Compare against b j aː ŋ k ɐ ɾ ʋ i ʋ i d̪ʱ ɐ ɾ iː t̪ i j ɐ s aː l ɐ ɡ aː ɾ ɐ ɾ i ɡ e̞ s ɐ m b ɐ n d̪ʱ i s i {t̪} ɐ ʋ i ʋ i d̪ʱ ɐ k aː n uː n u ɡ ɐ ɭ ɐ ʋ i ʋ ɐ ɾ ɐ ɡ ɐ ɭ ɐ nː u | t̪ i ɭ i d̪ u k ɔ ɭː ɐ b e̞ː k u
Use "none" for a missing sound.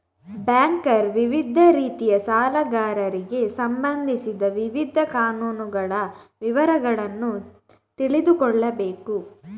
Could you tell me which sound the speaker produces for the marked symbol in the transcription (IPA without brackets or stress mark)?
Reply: d̪